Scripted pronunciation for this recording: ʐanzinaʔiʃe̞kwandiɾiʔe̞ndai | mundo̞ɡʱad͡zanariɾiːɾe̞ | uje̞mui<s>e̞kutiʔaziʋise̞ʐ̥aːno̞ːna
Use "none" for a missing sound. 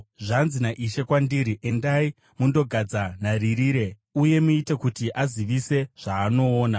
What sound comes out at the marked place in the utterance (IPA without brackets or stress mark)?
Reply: t